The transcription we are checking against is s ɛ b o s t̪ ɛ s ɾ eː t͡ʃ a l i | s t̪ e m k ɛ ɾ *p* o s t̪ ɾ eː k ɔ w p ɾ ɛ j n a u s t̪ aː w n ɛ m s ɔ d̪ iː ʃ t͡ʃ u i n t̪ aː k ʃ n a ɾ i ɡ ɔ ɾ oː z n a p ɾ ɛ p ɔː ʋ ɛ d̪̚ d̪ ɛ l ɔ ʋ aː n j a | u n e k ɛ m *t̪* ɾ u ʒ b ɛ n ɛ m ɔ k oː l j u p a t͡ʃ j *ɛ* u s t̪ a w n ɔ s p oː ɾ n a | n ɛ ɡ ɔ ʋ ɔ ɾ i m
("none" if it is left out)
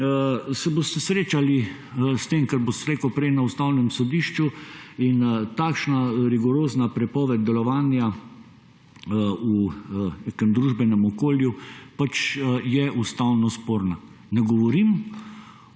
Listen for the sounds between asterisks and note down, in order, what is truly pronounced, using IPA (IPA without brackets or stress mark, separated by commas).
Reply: b, d̪, ɛ